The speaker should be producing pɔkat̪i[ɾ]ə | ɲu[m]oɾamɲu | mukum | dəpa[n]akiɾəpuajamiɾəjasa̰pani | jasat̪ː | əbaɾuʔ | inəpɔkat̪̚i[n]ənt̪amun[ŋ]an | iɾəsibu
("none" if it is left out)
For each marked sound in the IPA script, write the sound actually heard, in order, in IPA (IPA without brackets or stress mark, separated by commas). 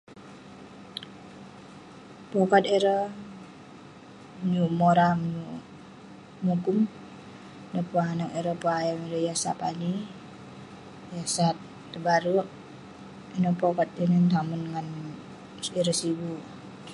ɾ, m, n, n, ŋ